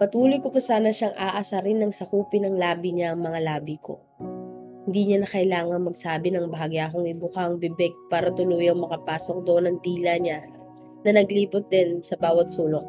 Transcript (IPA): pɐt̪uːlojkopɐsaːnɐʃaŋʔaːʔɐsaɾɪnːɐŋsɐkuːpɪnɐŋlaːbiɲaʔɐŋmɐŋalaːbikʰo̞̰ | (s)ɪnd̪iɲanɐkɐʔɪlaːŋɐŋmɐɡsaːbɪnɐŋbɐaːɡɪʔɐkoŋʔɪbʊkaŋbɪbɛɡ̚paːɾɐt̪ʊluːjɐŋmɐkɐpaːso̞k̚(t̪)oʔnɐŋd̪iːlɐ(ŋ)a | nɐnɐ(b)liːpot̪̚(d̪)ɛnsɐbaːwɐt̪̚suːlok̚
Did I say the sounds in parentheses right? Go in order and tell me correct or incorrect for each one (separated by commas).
incorrect, incorrect, incorrect, incorrect, correct